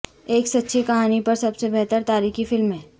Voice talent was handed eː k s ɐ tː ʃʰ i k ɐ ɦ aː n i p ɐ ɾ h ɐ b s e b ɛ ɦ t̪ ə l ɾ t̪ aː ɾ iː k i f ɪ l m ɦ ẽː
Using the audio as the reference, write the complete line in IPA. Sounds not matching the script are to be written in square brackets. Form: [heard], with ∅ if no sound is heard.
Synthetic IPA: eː k s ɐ tː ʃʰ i k ɐ ɦ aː n i p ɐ ɾ [s] ɐ b s e b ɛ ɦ t̪ ə [∅] ɾ t̪ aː ɾ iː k i f ɪ l m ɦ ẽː